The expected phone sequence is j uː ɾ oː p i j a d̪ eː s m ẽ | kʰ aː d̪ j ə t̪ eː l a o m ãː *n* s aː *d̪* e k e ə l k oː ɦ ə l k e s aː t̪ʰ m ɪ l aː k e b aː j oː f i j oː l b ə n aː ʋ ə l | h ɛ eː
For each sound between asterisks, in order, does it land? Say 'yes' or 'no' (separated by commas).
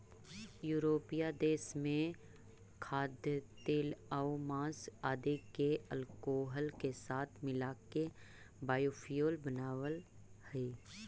no, yes